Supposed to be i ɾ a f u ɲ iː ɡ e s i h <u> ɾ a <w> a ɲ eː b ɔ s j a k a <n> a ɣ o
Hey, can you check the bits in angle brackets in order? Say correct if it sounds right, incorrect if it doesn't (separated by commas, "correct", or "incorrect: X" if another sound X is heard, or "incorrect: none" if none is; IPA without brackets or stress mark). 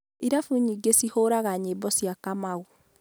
incorrect: o, incorrect: ɣ, incorrect: m